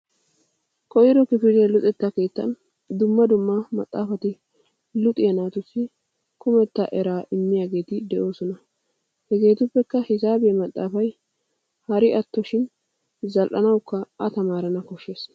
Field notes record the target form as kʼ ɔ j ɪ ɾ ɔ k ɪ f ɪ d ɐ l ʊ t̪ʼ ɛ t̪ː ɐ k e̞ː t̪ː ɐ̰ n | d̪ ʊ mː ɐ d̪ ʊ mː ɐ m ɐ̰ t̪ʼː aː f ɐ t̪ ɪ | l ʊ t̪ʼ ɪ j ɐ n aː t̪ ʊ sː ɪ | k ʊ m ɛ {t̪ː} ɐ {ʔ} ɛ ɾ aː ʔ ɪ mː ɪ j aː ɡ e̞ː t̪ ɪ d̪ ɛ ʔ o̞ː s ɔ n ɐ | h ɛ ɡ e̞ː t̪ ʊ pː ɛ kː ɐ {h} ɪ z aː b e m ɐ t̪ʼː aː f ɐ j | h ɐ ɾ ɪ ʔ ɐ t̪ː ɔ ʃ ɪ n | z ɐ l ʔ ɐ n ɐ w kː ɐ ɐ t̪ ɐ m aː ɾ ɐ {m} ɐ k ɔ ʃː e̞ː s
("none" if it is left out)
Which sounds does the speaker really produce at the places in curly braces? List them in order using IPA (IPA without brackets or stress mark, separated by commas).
t̪ː, ʔ, h, n